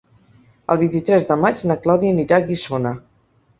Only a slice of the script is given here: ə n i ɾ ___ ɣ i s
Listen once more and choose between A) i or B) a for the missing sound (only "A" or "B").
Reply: B